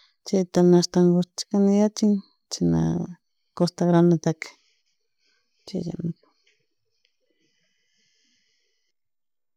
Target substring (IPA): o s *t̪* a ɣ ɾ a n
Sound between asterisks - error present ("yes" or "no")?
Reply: no